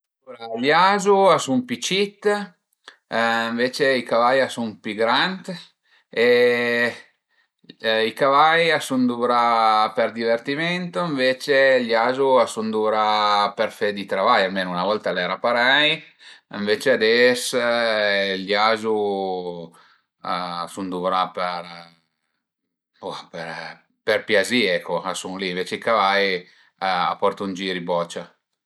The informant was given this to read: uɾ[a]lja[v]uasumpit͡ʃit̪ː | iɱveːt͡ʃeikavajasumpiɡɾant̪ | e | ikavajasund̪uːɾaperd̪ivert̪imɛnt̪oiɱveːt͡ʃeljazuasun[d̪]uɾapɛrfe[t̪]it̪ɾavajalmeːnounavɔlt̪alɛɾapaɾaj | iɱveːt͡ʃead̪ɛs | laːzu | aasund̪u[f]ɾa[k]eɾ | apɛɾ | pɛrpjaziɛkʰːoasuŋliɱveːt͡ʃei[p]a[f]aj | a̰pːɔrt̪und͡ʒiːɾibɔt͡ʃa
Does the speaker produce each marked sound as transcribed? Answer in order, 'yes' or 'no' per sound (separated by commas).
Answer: yes, no, yes, no, no, no, no, no